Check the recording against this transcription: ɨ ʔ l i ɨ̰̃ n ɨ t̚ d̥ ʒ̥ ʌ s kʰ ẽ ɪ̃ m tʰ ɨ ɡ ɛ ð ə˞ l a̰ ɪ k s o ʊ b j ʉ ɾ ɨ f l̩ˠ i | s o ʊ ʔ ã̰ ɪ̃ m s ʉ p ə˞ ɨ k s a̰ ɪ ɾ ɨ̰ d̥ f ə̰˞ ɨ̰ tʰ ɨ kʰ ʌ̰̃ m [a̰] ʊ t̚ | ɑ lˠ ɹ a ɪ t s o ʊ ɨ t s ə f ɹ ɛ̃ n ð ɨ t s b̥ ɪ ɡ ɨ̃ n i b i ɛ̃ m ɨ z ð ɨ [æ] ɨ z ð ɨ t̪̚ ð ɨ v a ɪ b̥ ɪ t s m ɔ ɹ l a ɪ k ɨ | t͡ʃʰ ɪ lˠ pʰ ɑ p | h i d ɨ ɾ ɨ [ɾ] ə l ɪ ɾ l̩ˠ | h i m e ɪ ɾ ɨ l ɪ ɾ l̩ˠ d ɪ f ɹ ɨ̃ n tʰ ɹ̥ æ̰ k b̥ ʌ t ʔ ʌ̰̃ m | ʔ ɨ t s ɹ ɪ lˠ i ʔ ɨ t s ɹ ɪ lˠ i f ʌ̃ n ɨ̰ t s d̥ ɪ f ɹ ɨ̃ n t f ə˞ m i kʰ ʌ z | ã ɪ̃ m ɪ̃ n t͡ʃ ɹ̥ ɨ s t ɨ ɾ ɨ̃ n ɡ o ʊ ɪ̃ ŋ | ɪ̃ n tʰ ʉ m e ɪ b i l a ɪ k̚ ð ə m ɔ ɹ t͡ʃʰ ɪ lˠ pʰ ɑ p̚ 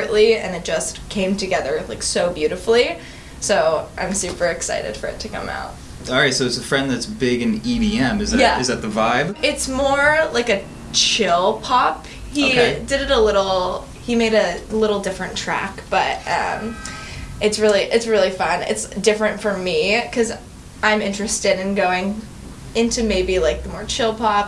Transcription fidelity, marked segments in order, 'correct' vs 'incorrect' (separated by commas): correct, correct, correct